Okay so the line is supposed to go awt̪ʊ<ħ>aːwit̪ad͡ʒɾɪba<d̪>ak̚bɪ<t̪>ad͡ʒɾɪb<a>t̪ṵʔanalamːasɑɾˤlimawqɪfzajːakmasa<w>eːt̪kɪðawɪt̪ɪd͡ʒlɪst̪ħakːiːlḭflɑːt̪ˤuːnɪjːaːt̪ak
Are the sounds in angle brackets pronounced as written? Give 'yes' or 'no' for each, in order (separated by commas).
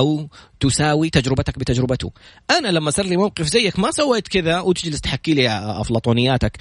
no, no, yes, yes, no